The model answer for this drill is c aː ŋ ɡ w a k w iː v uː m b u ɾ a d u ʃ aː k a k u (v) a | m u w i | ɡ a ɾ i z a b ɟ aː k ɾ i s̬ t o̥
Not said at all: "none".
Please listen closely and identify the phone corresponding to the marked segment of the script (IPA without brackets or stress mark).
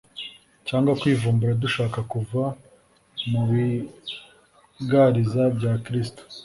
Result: v